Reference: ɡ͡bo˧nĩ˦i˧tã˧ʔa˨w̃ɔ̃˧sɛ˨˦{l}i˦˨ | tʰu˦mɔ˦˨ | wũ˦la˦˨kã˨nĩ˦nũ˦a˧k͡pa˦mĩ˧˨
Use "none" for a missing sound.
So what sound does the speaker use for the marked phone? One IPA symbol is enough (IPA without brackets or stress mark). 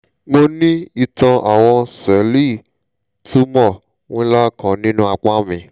l